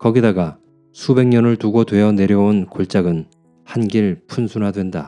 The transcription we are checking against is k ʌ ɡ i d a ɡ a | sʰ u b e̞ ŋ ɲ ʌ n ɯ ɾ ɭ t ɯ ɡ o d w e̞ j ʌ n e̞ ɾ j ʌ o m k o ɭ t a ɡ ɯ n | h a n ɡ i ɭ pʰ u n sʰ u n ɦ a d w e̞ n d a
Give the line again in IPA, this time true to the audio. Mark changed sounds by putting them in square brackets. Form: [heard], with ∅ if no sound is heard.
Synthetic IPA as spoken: k ʌ ɡ i d a ɡ a | sʰ u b e̞ ŋ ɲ ʌ n ɯ [∅] ɭ t [u] ɡ o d w e̞ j ʌ n e̞ ɾ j ʌ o [n] k o ɭ [t͡ɕ͈] a ɡ ɯ n | h a n ɡ i ɭ pʰ u n sʰ u n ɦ a d w e̞ n d a